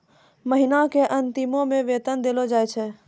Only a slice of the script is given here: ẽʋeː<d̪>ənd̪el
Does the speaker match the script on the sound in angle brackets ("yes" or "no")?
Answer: no